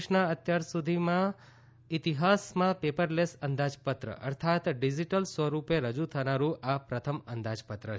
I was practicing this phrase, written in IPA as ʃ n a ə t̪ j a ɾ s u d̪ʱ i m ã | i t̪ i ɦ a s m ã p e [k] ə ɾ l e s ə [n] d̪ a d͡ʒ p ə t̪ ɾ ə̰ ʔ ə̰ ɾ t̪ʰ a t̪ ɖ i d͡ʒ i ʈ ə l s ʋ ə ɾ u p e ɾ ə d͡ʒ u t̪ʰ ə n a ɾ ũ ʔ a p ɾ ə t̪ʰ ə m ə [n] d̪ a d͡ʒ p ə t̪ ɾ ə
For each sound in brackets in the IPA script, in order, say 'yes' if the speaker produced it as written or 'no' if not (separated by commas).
no, yes, yes